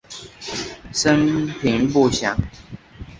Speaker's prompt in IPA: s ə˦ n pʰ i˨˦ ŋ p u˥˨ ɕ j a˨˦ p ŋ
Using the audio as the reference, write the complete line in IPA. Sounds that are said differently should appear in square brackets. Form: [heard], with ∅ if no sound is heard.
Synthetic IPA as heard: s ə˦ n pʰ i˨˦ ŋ p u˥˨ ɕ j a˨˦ [∅] ŋ